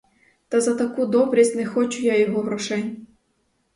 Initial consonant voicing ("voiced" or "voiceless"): voiceless